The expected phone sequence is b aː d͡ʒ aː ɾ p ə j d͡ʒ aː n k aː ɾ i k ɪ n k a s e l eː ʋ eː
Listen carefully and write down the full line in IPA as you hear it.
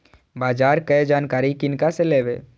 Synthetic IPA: b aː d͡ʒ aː ɾ k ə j d͡ʒ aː n k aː ɾ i k ɪ n k a s e l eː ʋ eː